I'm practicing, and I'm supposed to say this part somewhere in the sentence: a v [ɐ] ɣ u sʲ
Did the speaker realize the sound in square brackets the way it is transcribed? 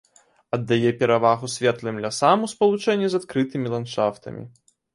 no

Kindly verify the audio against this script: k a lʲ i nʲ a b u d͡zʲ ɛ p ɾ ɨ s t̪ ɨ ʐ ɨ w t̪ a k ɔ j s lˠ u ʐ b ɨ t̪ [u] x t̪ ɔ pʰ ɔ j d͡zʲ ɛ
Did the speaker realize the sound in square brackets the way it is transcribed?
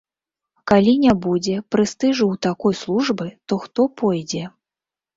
no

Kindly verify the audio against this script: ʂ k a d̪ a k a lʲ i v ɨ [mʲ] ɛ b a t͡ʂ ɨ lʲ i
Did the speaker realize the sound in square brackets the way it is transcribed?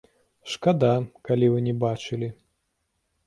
no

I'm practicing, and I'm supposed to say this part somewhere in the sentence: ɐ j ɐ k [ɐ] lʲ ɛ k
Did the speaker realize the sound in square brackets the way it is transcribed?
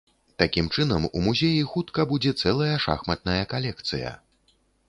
no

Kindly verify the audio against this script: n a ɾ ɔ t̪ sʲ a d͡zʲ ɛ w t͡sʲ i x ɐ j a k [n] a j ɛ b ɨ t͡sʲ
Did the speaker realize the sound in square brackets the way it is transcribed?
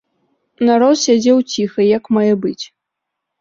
no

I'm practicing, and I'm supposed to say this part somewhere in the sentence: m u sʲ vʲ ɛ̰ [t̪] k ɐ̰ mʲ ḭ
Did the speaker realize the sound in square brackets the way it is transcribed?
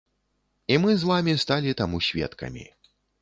yes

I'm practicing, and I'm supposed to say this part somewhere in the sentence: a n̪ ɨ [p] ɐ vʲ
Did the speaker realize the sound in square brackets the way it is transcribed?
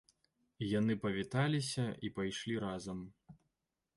yes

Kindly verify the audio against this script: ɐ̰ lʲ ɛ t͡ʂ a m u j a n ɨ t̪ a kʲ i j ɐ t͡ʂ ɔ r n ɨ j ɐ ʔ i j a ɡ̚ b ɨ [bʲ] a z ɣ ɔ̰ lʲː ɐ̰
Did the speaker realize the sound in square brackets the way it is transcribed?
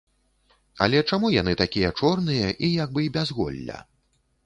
yes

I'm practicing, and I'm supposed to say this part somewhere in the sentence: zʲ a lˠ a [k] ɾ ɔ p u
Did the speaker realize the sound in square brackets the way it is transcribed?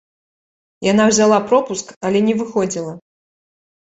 no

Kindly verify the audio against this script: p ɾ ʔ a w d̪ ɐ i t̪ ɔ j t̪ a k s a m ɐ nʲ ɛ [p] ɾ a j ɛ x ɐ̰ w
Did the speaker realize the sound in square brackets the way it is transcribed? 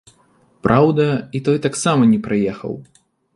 yes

